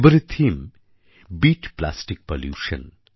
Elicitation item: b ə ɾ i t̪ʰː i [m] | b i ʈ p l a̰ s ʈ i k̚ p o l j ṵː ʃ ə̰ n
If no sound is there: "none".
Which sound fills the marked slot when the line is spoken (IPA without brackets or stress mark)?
m